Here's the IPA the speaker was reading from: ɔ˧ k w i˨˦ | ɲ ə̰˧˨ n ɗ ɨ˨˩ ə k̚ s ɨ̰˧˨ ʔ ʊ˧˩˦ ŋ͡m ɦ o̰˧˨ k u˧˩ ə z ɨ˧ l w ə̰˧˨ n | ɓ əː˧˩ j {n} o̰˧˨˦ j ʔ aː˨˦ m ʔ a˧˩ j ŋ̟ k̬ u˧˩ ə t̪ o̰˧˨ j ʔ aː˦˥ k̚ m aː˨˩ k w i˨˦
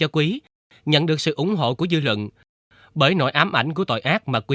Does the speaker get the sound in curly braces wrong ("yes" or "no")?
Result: no